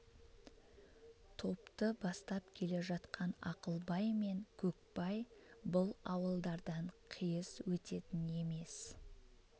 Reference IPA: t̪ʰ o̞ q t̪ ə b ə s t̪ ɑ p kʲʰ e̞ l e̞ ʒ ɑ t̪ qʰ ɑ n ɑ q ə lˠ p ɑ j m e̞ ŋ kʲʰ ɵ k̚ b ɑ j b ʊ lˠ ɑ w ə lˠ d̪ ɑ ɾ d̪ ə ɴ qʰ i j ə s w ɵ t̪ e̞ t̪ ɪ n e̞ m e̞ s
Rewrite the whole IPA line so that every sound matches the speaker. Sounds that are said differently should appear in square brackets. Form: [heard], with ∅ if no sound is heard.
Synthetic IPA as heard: t̪ʰ o̞ [p] t̪ ə b [ɑ] s t̪ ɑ p kʲʰ e̞ l e̞ ʒ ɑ t̪ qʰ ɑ n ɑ q ə lˠ [b] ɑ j m e̞ ŋ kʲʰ ɵ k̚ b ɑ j b ʊ lˠ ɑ w ə lˠ d̪ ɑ ɾ d̪ [ɑ] ɴ qʰ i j ə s w ɵ t̪ e̞ t̪ ɪ n e̞ m e̞ s

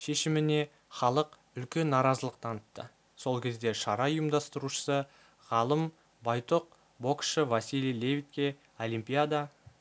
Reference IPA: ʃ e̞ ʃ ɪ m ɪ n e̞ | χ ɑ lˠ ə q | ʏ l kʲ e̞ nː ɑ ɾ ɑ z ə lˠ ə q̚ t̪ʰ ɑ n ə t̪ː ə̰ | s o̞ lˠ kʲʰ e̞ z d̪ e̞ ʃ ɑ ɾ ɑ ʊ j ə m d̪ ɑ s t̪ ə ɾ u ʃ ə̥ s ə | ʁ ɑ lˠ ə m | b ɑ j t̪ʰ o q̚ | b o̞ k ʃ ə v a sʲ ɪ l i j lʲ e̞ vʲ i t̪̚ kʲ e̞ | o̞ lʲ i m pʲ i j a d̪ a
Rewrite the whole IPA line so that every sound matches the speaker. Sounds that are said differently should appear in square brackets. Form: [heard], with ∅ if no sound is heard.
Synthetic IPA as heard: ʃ e̞ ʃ ɪ m ɪ n e̞ | χ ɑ lˠ ə q | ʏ l kʲ e̞ nː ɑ ɾ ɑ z ə lˠ ə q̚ t̪ʰ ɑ n ə t̪ː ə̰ | s o̞ lˠ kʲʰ e̞ z d̪ e̞ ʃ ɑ ɾ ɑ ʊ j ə m d̪ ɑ s t̪ ə ɾ u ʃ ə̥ s ə | ʁ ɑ lˠ ə m | b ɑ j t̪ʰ o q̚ | b o̞ k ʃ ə v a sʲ [i] l i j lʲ e̞ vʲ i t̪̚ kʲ e̞ | o̞ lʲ i m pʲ i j a d̪ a

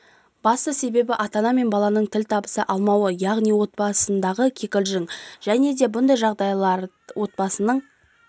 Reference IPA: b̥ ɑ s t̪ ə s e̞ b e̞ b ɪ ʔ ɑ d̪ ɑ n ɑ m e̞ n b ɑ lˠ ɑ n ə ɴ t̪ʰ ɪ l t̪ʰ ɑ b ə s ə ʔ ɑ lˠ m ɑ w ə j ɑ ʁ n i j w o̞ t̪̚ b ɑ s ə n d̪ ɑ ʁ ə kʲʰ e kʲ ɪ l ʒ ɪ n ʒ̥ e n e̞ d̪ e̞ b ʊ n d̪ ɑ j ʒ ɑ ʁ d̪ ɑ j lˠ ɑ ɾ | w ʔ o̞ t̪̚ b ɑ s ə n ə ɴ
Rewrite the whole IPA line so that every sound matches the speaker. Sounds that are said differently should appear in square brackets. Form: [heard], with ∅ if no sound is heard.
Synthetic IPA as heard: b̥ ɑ s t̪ ə s e̞ b e̞ b ɪ ʔ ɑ [t̪] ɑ n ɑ m e̞ n b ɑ lˠ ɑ n ə ɴ t̪ʰ ɪ l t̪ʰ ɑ b ə s ə ʔ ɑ lˠ m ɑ w ə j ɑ ʁ n i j w o̞ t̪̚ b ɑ s ə n d̪ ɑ ʁ ə kʲʰ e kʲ ɪ l ʒ ɪ [ŋ] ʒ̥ [æ] n e̞ d̪ e̞ b ʊ n d̪ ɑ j ʒ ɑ ʁ d̪ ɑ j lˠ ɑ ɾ | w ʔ o̞ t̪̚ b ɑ s ə n ə ɴ

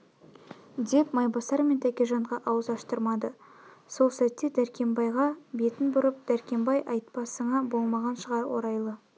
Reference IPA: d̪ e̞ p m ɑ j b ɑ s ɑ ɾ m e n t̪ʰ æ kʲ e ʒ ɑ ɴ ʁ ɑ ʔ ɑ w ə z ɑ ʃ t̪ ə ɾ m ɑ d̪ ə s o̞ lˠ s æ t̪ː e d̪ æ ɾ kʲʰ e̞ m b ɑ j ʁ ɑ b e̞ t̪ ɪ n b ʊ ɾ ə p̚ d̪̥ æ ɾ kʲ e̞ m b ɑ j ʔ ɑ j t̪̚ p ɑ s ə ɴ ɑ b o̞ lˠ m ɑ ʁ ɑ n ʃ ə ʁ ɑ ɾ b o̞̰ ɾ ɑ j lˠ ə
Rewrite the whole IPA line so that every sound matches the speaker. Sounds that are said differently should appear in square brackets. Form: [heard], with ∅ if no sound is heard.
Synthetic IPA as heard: d̪ e̞ p m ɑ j b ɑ s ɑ ɾ m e n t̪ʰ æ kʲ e ʒ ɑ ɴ ʁ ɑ ʔ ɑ w ə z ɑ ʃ t̪ ə ɾ m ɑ d̪ ə s o̞ lˠ s æ t̪ː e d̪ æ ɾ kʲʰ e̞ m b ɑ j ʁ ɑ b e̞ t̪ ɪ n b ʊ ɾ ə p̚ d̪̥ æ ɾ kʲ e̞ m b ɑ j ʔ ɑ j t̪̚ p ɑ s ə ɴ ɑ b o̞ lˠ m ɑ ʁ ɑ n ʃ ə ʁ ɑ ɾ [w] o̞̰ ɾ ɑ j lˠ ə

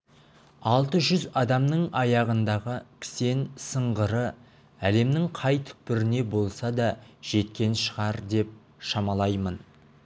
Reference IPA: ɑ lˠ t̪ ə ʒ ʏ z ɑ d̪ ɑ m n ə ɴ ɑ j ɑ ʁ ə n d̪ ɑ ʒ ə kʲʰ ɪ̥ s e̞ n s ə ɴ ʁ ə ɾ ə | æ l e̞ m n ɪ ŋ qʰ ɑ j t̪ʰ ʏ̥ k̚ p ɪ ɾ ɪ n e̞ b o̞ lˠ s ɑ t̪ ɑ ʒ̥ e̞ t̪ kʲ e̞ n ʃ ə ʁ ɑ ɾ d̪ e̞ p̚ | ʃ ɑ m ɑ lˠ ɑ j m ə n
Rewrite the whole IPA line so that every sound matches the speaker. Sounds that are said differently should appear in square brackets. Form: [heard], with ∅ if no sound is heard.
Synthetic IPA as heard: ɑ lˠ t̪ ə ʒ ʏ z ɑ d̪ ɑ m n ə ɴ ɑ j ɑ ʁ ə n d̪ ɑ [ʁ] ə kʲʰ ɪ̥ s e̞ n s ə ɴ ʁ ə ɾ ə | æ l e̞ m n ɪ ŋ qʰ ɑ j t̪ʰ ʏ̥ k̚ p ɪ ɾ ɪ n e̞ b o̞ lˠ s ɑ [d̪] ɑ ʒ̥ e̞ t̪ kʲ e̞ n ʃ ə ʁ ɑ ɾ d̪ e̞ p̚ | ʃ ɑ m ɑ lˠ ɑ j m ə n

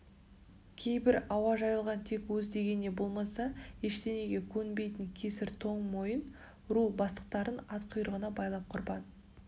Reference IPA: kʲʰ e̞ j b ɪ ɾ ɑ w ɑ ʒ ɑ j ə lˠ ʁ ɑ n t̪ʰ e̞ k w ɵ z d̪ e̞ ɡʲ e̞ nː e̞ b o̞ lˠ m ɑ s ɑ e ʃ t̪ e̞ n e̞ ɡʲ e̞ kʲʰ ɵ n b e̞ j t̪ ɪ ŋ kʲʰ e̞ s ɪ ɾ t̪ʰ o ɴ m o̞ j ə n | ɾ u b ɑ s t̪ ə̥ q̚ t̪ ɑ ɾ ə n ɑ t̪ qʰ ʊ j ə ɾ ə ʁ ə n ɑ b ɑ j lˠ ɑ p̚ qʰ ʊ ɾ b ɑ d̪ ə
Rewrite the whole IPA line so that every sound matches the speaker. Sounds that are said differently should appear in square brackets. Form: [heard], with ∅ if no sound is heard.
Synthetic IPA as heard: kʲʰ e̞ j b ɪ ɾ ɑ w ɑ ʒ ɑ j ə lˠ ʁ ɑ n t̪ʰ e̞ k w ɵ z d̪ e̞ ɡʲ e̞ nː e̞ b o̞ lˠ m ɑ s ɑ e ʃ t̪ e̞ n e̞ ɡʲ e̞ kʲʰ ɵ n b e̞ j t̪ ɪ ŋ kʲʰ e̞ s ɪ ɾ t̪ʰ o ɴ m o̞ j ə n | ɾ u b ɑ s t̪ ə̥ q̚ t̪ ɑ ɾ ə n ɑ t̪ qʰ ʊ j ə ɾ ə ʁ ə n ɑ b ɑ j lˠ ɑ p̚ qʰ ʊ ɾ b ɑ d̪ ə

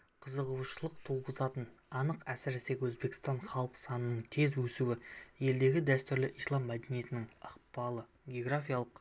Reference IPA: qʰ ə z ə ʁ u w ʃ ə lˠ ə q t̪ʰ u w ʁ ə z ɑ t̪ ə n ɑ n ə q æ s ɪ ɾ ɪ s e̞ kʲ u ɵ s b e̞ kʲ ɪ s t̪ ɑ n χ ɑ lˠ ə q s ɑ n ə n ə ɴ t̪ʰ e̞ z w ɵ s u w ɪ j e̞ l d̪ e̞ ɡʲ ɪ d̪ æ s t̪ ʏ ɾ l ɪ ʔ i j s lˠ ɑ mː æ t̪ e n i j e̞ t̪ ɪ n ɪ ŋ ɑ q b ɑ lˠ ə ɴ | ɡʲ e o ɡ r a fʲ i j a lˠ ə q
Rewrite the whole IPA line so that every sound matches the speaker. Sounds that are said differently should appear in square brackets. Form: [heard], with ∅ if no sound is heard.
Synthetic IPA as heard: qʰ ə z ə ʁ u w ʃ ə lˠ ə q t̪ʰ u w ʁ ə z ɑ t̪ ə n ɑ n ə q æ s ɪ ɾ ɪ s e̞ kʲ [w] ɵ [z] b e̞ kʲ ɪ s t̪ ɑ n χ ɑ lˠ ə q s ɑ n ə n ə ɴ t̪ʰ e̞ z w ɵ s u w ɪ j e̞ l d̪ e̞ ɡʲ ɪ d̪ æ s t̪ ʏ ɾ l ɪ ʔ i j s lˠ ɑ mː æ [d̪] e n i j e̞ t̪ ɪ n ɪ ŋ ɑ q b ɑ lˠ ə [∅] | ɡʲ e o ɡ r a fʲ i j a lˠ ə q

